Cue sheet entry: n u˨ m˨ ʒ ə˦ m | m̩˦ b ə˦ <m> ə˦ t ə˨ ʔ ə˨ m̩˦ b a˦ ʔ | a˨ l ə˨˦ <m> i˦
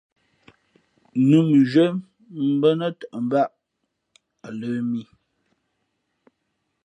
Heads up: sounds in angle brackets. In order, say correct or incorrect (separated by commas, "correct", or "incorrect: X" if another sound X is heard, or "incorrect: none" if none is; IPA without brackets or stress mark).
incorrect: n, correct